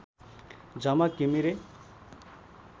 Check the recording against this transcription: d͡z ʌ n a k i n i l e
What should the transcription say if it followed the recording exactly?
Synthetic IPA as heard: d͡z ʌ m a k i m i ɾ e